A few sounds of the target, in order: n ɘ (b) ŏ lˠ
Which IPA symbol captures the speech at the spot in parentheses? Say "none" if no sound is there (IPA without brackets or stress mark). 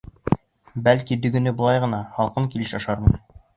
b